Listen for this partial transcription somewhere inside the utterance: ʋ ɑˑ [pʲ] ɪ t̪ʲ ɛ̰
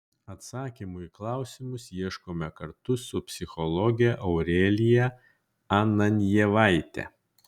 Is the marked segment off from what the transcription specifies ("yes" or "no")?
yes